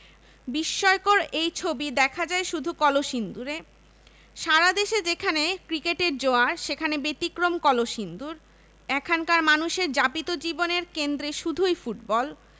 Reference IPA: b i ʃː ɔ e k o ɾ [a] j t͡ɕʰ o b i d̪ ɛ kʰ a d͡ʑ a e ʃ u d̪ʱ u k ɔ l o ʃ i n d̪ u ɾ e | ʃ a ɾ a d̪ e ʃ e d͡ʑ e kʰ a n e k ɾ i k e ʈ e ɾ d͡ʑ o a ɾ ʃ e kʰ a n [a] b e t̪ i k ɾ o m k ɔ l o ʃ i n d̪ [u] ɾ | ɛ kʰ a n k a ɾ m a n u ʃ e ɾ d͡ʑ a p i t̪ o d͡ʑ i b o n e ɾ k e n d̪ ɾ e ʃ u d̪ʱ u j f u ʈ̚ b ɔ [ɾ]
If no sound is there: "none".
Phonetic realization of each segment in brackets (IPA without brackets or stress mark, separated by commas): e, e, u, l